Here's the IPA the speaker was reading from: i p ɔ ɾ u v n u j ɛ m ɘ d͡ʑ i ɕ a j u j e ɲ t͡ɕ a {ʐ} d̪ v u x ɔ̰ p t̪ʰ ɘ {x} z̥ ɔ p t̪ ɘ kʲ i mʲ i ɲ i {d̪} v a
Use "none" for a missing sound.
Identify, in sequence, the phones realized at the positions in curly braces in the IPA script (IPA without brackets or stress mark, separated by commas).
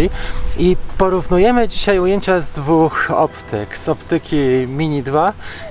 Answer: z, k, d̪